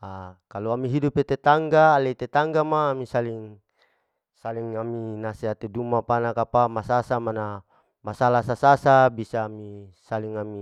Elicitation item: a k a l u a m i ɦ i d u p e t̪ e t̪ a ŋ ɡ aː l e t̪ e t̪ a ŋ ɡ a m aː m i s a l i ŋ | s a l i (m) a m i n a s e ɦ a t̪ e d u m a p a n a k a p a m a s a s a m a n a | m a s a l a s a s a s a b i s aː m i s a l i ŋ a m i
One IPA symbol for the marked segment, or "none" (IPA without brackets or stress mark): ŋ